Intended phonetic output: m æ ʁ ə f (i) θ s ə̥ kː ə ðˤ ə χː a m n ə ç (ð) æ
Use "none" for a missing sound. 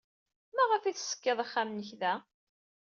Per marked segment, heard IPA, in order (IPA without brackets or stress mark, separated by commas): i, ð